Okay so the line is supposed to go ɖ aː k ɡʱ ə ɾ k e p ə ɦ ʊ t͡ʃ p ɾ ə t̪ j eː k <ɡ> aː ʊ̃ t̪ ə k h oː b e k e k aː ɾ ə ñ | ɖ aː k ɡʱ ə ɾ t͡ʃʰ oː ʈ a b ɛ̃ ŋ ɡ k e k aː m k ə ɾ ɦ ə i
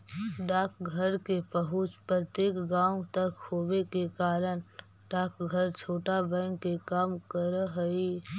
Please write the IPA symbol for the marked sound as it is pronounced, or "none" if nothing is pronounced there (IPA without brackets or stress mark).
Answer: ɡ